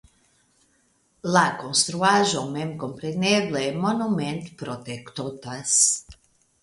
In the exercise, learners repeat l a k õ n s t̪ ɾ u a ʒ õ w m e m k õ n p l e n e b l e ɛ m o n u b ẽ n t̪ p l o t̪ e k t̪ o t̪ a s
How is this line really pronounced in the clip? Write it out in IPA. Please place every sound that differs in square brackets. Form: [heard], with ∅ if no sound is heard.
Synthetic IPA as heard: l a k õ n s t̪ ɾ u a ʒ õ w m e m k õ [m] p [ɾ] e n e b l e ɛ m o n u [m] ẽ n t̪ p [ɾ] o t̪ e k t̪ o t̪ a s